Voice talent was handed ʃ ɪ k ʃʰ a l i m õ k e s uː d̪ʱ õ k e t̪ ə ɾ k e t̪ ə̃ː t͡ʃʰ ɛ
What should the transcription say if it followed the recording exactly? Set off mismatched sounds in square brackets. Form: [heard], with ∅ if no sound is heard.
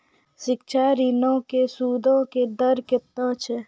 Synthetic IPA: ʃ ɪ k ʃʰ a [ɾ] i [n] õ k e s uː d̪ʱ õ k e [d̪] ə ɾ k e t̪ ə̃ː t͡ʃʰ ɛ